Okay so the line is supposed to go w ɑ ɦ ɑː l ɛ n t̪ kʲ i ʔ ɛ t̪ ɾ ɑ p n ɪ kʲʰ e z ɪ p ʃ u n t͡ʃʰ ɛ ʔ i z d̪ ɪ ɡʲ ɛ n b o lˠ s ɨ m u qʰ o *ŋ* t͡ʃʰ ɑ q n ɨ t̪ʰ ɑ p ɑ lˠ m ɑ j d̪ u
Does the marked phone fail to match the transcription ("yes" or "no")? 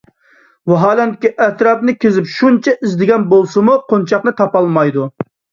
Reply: yes